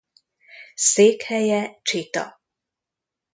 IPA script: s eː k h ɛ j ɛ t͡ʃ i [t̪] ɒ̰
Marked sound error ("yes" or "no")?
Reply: no